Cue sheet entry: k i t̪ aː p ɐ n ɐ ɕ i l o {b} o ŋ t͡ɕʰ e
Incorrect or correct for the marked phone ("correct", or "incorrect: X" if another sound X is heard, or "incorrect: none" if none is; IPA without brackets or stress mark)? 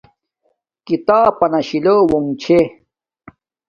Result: incorrect: w